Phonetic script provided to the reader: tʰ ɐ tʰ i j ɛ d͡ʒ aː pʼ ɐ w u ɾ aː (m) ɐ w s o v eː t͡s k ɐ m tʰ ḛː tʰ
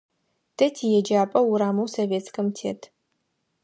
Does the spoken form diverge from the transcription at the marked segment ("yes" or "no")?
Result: no